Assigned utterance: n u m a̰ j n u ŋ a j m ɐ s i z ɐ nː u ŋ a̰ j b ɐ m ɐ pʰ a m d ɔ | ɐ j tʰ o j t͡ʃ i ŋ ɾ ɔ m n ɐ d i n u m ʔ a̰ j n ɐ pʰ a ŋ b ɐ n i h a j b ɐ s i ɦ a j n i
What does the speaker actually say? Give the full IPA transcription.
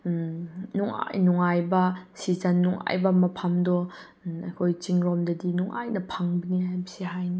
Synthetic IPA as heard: n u ŋ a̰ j n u ŋ a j b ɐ s i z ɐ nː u ŋ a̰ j b ɐ m ɐ pʰ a m d ɔ | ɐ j kʰ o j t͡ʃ i ŋ ɾ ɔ m d ɐ d i n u ŋ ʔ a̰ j n ɐ pʰ a ŋ b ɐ n i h a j b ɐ s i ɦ a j n i